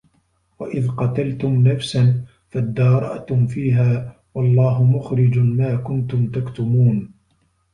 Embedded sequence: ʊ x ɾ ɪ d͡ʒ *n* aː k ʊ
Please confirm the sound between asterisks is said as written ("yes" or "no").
no